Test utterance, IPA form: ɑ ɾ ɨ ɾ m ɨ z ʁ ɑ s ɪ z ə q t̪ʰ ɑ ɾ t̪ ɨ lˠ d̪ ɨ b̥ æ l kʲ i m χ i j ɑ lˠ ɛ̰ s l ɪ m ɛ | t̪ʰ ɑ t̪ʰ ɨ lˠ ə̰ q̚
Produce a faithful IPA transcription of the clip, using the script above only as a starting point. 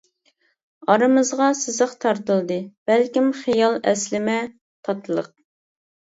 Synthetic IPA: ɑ ɾ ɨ m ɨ z ʁ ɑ s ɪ z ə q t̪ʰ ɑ ɾ t̪ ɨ lˠ d̪ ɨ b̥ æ l kʲ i m χ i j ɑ lˠ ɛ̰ s l ɪ m ɛ | t̪ʰ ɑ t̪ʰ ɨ lˠ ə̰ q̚